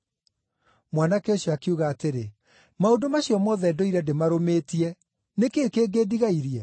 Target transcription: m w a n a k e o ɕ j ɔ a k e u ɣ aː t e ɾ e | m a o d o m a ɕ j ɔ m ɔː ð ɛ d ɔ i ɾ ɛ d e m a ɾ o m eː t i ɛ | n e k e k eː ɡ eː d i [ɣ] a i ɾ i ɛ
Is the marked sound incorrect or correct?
correct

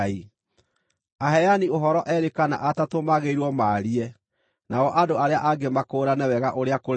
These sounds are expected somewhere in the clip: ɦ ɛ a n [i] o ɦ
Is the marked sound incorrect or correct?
correct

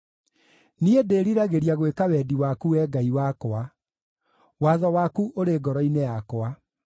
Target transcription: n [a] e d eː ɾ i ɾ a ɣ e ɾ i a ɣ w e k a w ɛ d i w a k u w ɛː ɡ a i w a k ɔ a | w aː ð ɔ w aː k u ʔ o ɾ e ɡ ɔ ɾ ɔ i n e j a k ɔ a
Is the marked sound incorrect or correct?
incorrect: i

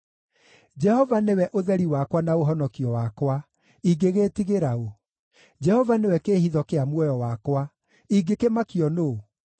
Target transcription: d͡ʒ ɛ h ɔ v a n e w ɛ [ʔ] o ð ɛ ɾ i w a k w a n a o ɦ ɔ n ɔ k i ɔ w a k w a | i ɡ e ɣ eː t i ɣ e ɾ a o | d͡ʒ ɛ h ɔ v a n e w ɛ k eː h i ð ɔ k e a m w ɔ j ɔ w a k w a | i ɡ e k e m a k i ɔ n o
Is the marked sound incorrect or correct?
correct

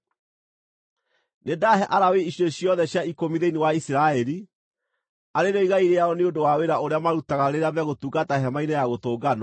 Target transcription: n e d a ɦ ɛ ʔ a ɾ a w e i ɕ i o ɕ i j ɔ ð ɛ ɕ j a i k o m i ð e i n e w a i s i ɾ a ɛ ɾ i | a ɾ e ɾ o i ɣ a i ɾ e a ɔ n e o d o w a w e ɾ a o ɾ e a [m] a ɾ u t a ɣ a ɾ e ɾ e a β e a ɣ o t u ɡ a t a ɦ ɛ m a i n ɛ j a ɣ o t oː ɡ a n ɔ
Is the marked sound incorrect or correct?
correct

